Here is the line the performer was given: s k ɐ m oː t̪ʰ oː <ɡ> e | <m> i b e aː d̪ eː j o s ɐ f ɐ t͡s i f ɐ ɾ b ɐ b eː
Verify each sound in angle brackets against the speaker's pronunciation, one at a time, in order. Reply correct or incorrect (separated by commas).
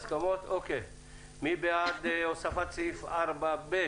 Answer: incorrect, correct